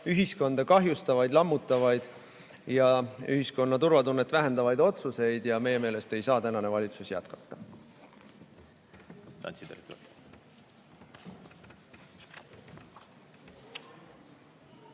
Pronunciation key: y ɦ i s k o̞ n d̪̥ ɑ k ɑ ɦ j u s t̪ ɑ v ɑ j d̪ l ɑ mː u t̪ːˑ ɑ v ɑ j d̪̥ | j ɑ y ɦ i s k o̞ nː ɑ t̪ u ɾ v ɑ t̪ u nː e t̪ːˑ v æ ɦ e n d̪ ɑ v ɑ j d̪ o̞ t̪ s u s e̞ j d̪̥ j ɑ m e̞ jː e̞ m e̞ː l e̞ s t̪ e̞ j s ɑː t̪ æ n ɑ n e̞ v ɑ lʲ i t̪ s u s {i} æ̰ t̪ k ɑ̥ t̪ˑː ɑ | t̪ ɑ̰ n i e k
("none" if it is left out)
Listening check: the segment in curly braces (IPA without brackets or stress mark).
j